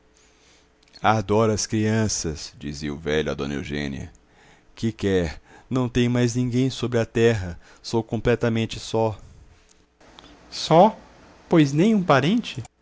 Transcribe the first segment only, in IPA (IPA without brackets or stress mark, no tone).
a